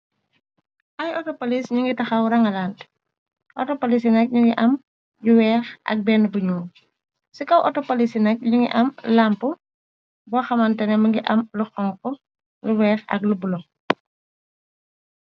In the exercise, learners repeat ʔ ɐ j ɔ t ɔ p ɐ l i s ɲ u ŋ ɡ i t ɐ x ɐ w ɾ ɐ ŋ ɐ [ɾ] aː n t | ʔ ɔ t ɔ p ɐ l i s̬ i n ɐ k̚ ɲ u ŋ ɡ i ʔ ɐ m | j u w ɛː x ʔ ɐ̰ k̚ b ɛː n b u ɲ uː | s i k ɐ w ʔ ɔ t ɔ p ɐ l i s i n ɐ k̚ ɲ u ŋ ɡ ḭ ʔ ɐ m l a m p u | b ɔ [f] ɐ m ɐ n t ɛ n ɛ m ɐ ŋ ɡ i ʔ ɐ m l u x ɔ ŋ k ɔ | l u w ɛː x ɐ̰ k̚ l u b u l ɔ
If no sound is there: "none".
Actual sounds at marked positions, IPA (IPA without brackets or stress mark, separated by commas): l, x